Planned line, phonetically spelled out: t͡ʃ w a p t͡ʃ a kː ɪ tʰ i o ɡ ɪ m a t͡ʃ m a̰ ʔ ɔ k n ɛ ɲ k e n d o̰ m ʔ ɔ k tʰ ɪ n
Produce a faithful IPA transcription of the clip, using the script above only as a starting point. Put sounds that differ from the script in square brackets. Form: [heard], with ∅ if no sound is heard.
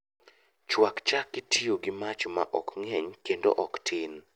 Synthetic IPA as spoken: t͡ʃ w a [k] t͡ʃ a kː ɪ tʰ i o ɡ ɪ m a t͡ʃ m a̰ ʔ ɔ k [ŋ] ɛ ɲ k e n d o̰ [∅] ʔ ɔ k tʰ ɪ n